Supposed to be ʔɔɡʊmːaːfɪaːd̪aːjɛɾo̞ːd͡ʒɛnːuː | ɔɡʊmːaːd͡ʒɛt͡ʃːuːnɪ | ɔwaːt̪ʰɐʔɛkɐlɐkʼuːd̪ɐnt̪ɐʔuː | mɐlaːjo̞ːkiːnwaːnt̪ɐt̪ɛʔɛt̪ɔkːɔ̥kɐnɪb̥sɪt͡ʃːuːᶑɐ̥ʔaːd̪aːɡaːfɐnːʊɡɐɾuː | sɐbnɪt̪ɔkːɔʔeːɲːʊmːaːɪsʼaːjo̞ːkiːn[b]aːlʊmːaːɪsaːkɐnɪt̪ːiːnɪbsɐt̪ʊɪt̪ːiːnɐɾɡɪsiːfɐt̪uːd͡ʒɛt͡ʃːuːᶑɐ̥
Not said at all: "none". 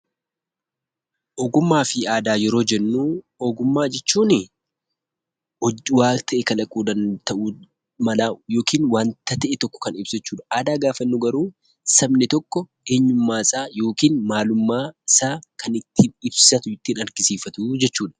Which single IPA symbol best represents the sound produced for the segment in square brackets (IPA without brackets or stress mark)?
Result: m